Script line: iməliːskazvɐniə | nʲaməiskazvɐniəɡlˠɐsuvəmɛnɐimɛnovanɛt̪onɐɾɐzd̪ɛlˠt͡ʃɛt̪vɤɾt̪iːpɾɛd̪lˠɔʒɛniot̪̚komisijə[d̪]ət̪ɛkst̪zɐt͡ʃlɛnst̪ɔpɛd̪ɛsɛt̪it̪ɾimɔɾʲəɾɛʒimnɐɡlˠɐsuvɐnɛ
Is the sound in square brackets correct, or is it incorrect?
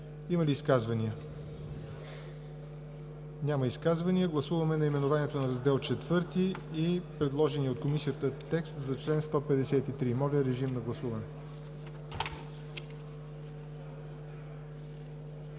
incorrect